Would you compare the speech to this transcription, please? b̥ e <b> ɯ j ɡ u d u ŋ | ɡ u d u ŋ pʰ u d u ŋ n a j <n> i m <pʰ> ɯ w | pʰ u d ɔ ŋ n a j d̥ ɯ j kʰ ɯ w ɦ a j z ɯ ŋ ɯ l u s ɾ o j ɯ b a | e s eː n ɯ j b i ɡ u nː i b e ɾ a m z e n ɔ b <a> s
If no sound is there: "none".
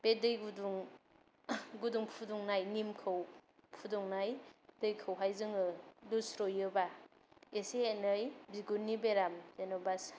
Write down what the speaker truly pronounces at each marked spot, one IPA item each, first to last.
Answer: d, n, kʰ, a

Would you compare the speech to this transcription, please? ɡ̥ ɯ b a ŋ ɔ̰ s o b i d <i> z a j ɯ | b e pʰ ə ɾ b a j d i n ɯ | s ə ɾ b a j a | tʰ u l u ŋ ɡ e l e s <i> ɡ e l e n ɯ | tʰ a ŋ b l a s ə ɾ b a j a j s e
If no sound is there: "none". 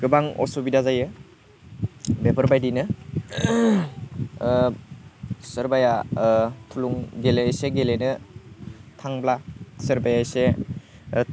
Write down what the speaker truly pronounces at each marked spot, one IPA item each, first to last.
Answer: a, e

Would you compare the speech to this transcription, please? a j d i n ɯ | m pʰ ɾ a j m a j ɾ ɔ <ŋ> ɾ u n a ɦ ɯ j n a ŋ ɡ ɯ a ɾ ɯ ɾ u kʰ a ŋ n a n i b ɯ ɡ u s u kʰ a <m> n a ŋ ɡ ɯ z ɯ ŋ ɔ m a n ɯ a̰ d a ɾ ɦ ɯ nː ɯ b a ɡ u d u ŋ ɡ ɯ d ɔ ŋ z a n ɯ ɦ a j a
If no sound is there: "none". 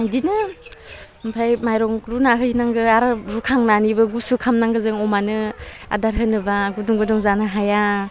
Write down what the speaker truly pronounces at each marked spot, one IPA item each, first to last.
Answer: ŋ, m

